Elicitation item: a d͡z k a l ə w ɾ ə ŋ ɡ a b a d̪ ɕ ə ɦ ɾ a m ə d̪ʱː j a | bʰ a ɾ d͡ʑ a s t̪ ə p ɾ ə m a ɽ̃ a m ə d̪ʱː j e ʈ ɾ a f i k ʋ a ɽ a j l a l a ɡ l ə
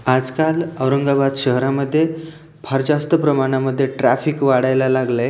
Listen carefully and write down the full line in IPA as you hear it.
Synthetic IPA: a d͡z k a l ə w ɾ ə ŋ ɡ a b a d̪ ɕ ə ɦ ɾ a m ə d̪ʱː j e | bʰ a ɾ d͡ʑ a s t̪ ə p ɾ ə m a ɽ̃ a m ə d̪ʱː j e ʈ ɾ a f i k ʋ a ɽ a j l a l a ɡ l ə